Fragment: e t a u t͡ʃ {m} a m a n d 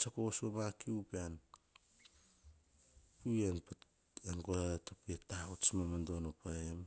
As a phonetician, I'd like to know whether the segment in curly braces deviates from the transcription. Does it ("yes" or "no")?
no